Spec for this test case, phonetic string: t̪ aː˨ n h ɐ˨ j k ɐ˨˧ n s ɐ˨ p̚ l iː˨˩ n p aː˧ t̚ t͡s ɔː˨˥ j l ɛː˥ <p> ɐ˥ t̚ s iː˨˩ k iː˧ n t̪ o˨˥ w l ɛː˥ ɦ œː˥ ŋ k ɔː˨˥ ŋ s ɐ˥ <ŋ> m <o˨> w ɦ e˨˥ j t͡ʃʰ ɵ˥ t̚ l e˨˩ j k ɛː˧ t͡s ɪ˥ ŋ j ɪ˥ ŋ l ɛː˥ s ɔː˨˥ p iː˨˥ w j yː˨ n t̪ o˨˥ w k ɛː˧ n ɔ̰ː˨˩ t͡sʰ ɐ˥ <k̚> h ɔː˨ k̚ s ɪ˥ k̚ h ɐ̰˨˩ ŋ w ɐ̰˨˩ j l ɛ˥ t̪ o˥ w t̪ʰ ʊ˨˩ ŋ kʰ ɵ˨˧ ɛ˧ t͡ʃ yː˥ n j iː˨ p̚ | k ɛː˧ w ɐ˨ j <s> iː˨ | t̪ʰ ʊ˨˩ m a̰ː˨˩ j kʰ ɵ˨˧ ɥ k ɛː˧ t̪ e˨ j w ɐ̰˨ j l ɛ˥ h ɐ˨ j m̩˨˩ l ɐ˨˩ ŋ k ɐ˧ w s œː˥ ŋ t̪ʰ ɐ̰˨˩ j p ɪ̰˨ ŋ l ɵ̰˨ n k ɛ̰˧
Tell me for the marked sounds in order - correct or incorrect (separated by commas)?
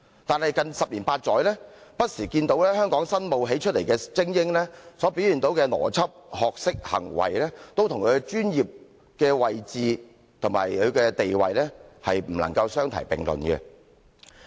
correct, incorrect, correct, incorrect, incorrect